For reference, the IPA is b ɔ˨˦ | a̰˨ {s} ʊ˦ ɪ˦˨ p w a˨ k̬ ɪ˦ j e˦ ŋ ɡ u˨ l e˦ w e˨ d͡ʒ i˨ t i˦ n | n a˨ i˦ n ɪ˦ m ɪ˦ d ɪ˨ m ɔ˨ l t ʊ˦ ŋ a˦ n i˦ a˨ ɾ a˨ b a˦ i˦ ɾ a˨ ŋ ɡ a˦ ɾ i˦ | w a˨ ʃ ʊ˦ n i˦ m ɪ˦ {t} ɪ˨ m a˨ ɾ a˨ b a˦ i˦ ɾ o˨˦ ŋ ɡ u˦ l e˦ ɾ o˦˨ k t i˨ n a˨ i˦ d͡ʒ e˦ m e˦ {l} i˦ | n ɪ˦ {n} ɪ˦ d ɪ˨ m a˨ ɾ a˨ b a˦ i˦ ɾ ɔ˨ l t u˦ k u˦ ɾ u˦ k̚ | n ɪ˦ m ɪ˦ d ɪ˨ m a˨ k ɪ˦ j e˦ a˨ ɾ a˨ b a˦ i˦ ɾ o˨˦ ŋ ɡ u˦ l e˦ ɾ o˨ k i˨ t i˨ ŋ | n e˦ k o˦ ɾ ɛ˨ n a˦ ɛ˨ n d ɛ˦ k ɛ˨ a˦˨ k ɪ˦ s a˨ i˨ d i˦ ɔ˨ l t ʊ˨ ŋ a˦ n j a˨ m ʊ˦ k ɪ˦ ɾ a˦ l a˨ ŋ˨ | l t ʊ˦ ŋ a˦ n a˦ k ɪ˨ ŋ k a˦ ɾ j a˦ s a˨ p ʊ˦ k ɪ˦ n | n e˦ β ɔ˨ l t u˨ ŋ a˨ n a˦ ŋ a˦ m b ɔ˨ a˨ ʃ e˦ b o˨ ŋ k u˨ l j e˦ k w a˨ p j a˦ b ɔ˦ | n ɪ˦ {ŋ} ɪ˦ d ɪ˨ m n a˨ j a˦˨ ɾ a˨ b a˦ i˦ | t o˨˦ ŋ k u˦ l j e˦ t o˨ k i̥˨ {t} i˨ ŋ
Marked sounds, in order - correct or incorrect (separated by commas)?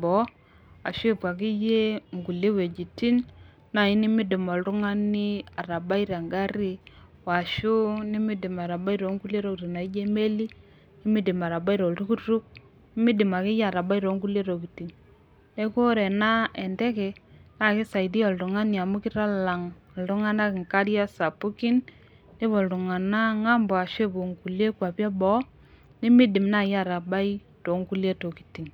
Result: incorrect, incorrect, correct, incorrect, incorrect, correct